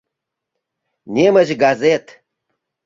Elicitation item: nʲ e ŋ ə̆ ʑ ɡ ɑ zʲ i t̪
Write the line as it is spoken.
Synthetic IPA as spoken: nʲ e m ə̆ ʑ ɡ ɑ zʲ e t̪